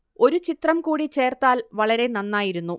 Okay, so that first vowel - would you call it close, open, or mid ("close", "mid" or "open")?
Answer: mid